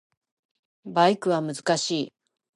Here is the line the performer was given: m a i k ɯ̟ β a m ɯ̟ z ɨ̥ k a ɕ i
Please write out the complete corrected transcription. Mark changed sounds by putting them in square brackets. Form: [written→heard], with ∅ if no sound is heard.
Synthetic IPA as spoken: [m→b] a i k ɯ̟ β a m ɯ̟ z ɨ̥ k a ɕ [i→iː]